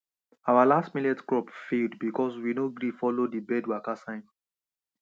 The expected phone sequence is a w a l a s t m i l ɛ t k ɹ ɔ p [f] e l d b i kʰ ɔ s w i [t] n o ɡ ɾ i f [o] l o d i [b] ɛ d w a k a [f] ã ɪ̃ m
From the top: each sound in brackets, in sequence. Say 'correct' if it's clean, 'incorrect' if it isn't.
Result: correct, incorrect: none, incorrect: ɔ, correct, incorrect: s

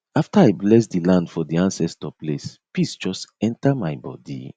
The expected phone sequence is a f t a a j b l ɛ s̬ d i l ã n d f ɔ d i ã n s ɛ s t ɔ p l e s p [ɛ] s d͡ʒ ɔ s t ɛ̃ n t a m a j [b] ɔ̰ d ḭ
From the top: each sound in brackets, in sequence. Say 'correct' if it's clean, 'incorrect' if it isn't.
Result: incorrect: i, correct

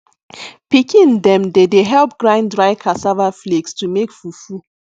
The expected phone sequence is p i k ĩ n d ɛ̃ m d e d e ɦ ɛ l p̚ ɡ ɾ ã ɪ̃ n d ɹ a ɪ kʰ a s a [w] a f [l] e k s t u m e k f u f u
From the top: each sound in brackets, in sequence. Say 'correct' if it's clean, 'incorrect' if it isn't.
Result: incorrect: v, correct

